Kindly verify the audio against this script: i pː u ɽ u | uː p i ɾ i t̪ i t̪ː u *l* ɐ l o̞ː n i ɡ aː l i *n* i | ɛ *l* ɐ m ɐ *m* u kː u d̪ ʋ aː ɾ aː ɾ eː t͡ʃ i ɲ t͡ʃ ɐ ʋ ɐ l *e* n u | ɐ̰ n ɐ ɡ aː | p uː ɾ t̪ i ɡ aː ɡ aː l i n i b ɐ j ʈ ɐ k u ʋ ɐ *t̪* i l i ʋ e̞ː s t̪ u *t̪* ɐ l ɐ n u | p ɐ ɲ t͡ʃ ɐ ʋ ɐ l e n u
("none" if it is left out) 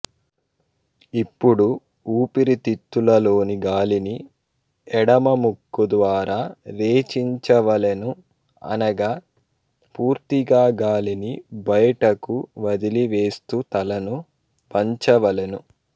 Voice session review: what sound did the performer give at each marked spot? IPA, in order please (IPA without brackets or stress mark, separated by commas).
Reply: l, n, ɽ, m, e, d̪, t̪